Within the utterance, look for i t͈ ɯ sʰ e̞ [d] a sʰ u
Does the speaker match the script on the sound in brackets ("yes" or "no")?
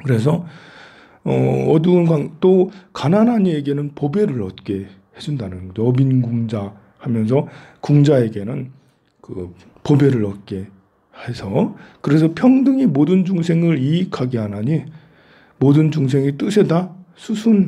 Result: yes